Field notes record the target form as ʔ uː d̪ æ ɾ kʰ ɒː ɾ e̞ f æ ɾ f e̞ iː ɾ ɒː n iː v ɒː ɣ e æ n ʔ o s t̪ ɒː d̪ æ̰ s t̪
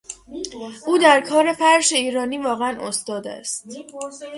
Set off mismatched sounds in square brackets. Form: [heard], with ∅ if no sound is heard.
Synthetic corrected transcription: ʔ uː d̪ æ ɾ kʰ ɒː ɾ e̞ f æ ɾ [ʃ] e̞ iː ɾ ɒː n iː v ɒː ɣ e æ n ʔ o s t̪ ɒː d̪ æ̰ s t̪